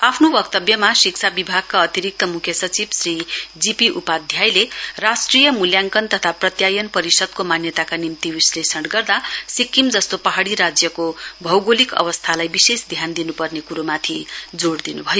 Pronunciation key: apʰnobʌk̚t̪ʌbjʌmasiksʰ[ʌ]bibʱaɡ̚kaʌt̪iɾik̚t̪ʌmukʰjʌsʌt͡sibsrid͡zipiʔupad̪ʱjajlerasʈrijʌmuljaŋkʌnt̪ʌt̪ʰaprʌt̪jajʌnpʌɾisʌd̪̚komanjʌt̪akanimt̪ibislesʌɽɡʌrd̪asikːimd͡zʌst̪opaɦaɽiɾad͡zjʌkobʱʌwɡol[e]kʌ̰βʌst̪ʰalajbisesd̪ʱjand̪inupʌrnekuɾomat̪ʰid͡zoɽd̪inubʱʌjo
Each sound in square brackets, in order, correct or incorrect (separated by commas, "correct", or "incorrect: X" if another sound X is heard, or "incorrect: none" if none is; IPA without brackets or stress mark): incorrect: a, incorrect: i